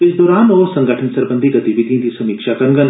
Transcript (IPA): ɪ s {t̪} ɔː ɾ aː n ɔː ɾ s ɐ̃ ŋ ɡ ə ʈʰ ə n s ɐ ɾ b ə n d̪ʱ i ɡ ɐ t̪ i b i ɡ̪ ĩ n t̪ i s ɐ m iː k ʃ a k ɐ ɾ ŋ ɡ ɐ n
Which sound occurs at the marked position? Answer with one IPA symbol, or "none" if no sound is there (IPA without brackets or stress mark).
d̪